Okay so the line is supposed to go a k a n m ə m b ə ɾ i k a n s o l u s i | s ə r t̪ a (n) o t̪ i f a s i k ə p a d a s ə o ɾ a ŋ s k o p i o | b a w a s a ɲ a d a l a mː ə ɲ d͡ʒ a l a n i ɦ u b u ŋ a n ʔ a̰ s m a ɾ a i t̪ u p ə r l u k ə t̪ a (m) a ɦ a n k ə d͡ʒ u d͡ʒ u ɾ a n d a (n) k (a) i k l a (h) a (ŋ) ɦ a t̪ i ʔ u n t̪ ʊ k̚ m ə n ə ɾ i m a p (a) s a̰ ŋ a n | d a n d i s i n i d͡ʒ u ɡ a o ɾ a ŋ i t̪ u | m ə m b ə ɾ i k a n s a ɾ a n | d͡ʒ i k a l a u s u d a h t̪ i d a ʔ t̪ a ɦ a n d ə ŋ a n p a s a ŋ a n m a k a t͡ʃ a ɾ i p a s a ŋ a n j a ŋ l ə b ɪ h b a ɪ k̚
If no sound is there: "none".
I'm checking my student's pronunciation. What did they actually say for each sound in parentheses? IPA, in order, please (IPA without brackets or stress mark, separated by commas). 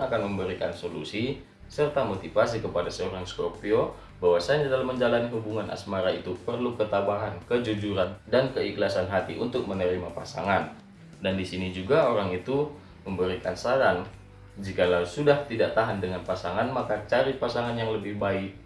m, b, n, ə, s, n, a